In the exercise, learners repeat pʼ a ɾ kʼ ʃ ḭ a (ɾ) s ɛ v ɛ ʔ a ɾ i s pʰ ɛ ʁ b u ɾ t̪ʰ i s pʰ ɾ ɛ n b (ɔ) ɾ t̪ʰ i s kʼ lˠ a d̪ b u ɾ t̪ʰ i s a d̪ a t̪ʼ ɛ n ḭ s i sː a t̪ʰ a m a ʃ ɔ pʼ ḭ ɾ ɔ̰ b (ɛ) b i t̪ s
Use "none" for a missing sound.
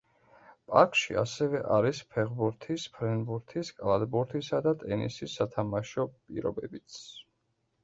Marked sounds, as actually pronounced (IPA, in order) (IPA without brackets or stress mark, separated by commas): none, u, ɛ